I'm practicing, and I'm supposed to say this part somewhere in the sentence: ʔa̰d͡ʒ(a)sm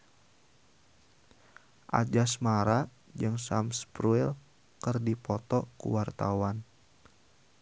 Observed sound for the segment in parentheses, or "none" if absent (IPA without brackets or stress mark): a